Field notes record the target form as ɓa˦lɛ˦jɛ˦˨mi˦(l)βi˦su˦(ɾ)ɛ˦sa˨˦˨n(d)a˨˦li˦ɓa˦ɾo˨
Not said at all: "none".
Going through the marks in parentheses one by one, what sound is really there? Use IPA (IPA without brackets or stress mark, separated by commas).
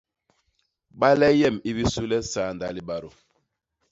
none, l, d